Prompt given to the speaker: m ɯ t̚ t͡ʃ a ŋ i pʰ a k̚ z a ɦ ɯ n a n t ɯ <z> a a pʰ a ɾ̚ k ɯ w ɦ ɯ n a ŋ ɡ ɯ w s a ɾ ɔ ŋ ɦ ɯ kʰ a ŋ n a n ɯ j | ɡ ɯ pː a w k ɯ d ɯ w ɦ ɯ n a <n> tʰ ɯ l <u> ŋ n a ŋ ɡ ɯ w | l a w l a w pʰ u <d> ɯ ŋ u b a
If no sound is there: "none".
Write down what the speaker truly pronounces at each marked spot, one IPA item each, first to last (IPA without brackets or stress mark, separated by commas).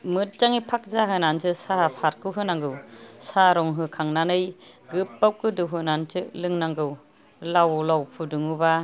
s, n, ɯ, d